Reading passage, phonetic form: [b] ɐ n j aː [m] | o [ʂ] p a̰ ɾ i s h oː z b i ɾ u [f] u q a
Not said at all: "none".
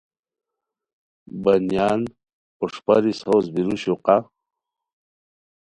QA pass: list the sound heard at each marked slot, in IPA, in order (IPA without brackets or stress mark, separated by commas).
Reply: b, n, ʂ, ɕ